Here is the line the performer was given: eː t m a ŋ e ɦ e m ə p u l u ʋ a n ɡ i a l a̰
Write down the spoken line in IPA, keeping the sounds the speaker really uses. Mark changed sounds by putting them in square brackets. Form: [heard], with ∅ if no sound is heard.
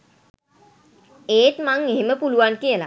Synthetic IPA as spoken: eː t m a ŋ e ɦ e m ə p u l u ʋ a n [k] i [ə] l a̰